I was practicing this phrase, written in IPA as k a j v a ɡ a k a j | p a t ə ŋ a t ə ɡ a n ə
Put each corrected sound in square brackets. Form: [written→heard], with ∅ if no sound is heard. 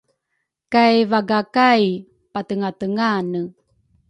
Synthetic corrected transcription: k a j v a ɡ a k a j | p a t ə ŋ a t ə [ɡ→ŋ] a n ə